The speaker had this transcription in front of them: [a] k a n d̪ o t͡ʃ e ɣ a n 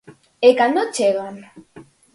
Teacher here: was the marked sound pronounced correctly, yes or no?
no